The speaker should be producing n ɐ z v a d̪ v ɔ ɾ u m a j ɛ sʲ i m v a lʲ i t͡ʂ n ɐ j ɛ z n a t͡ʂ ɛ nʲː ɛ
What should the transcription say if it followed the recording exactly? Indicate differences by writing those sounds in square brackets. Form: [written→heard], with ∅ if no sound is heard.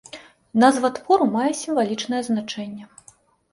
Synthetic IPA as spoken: n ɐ z v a [d̪→t̪] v ɔ ɾ u m a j ɛ sʲ i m v a lʲ i t͡ʂ n ɐ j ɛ z n a t͡ʂ ɛ nʲː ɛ